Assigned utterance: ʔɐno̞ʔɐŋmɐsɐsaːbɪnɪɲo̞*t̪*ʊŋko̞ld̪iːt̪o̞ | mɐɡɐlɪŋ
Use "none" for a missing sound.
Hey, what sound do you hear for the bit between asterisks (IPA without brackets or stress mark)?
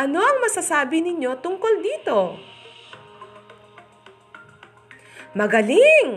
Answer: t̪